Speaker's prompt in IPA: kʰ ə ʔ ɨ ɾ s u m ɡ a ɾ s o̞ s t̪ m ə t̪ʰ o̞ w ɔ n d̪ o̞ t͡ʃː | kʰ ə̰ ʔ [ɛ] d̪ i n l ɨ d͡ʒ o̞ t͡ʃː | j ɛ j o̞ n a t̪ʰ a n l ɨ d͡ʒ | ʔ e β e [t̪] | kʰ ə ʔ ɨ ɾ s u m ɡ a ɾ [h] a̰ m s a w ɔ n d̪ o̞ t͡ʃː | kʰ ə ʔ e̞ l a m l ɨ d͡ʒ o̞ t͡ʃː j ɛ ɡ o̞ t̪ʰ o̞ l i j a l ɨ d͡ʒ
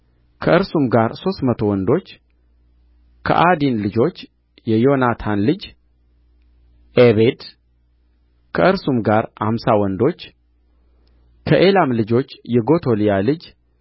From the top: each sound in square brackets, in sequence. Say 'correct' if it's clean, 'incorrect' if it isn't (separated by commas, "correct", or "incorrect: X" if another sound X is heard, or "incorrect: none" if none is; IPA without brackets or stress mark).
incorrect: a, incorrect: d̪, correct